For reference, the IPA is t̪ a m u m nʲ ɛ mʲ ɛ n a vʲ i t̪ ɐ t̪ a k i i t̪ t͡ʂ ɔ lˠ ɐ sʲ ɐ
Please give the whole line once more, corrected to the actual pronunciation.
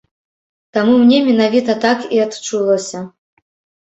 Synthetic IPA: t̪ a m u m nʲ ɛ mʲ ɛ n a vʲ i t̪ ɐ t̪ a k i a t̪ t͡ʂ u lˠ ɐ sʲ ɐ

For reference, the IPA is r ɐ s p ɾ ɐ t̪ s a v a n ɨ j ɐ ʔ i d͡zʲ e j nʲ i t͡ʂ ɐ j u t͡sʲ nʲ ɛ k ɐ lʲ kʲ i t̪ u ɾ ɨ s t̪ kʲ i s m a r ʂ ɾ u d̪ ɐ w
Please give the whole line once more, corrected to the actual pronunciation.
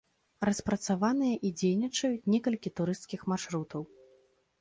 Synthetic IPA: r ɐ s p ɾ ɐ t̪ s a v a n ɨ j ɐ ʔ i d͡zʲ e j nʲ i t͡ʂ ɐ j u t͡sʲ nʲ ɛ k ɐ lʲ kʲ i t̪ u ɾ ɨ s t̪ kʲ i x m a r ʂ ɾ u t̪ ɐ w

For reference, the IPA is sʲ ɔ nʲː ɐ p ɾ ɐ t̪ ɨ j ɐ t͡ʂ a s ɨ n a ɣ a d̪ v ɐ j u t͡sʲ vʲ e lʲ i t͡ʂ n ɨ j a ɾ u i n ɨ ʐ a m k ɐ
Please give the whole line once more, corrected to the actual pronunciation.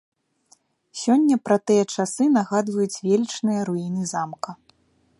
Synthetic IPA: sʲ ɔ nʲː ɐ p ɾ ɐ t̪ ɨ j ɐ t͡ʂ a s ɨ n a ɣ a d̪ v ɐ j u t͡sʲ vʲ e lʲ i t͡ʂ n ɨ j ɐ ɾ u i n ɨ z a m k ɐ

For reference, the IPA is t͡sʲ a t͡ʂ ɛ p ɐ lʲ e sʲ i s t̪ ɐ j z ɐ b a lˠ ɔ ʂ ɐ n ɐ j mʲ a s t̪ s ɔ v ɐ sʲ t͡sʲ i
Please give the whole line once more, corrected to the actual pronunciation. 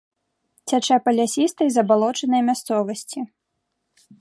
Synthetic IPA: t͡sʲ a t͡ʂ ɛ p ɐ lʲ a sʲ i s t̪ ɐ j z ɐ b a lˠ ɔ t͡ʂ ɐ n ɐ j mʲ a s t̪ s ɔ v ɐ sʲ t͡sʲ i

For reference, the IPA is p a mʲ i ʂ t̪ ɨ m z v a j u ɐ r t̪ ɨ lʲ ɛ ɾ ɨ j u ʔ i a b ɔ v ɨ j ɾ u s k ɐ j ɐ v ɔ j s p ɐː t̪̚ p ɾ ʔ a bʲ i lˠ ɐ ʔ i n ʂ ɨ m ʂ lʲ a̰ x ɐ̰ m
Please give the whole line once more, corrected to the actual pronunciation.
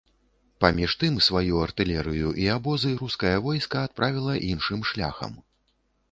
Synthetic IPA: p a mʲ i ʂ t̪ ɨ m s v a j u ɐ r t̪ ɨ lʲ ɛ ɾ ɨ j u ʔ i a b ɔ z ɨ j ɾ u s k ɐ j ɐ v ɔ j s k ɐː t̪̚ p ɾ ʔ a vʲ i lˠ ɐ ʔ i n ʂ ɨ m ʂ lʲ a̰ x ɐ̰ m

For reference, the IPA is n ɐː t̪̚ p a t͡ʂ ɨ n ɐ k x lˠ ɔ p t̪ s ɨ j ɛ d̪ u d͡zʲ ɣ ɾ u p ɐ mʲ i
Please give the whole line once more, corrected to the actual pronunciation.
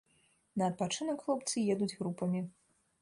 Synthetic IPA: n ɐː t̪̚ p a t͡ʂ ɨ n ɐ k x lˠ ɔ p t̪ s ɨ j ɛ d̪ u d͡zʲ ɣ ɾ u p ɐ mʲ i

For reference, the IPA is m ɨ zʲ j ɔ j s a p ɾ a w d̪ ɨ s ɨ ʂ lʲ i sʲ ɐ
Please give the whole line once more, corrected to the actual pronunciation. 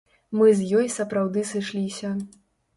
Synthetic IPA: m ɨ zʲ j ɔ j s ɐ p ɾ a w d̪ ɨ s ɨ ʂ lʲ i sʲ ɐ

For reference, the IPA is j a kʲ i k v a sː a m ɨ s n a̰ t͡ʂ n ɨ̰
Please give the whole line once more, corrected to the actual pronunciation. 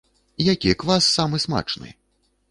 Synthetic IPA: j a kʲ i k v a sː a m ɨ s m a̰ t͡ʂ n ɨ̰

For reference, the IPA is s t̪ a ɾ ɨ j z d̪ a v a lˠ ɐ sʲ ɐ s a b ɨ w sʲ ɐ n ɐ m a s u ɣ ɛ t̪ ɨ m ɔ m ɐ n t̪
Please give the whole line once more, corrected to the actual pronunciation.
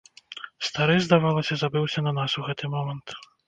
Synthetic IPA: s t̪ a ɾ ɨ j z d̪ a v a lˠ ɐ sʲ ɐ z a b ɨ w sʲ ɐ n ɐ n a s u ɣ ɛ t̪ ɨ m ɔ m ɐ n t̪

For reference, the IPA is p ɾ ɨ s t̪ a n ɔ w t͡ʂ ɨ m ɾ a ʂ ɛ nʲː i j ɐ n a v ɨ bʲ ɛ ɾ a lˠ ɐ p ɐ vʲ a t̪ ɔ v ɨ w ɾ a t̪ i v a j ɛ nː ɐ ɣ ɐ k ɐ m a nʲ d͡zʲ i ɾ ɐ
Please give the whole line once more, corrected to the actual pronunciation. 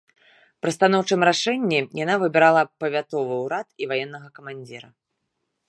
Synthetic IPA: p ɾ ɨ s t̪ a n ɔ w t͡ʂ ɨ m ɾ a ʂ ɛ nʲː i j a n a v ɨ bʲ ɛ ɾ a lˠ ɐ p ɐ vʲ a t̪ ɔ v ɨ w ɾ a t̪ i v a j ɛ nː ɐ ɣ ɐ k ɐ m a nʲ d͡zʲ i ɾ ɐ

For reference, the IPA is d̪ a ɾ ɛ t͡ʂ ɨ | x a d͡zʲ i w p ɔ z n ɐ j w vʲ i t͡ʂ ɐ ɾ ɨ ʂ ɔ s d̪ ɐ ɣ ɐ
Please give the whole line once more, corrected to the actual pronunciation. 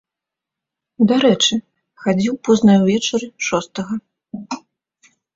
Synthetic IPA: d̪ a ɾ ɛ t͡ʂ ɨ | x a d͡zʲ i w p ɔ z n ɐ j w vʲ ɛ t͡ʂ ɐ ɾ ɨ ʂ ɔ s t̪ ɐ ɣ ɐ

